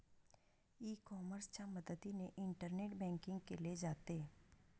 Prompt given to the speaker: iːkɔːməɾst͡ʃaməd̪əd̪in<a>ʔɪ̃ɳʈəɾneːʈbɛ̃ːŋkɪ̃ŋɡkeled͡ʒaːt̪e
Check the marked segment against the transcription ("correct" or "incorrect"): incorrect